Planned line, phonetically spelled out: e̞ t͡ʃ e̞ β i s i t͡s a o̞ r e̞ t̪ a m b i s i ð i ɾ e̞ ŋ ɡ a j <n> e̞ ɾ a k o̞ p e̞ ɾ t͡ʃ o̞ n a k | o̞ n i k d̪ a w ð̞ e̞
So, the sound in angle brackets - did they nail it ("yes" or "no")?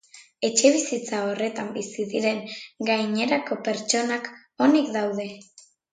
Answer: no